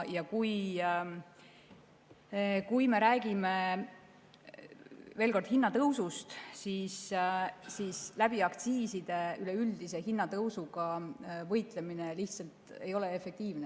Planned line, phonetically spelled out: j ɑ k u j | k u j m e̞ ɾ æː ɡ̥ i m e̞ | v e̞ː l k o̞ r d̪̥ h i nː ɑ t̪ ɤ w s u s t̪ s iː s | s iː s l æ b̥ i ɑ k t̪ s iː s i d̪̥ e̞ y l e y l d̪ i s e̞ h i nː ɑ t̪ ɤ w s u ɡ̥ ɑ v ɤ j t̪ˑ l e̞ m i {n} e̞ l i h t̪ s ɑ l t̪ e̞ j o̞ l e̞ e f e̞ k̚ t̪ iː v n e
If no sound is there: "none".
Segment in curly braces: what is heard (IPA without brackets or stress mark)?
n